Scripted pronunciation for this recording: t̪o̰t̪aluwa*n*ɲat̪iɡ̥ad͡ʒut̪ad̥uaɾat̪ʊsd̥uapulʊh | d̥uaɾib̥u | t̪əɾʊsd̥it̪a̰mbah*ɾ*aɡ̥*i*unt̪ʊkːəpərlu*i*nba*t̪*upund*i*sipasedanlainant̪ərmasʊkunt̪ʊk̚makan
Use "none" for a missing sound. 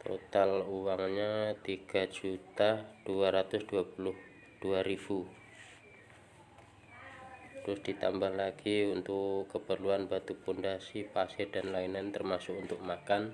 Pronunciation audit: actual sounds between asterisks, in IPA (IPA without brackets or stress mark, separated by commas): ŋ, l, i, a, t̪, a